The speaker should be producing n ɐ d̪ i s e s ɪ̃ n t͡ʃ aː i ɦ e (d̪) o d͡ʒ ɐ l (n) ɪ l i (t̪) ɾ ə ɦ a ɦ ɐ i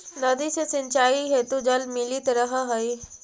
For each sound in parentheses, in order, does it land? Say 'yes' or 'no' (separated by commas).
no, no, yes